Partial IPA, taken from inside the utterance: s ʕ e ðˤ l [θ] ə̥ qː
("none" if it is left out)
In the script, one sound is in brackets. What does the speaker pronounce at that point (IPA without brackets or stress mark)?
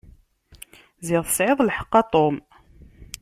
ħ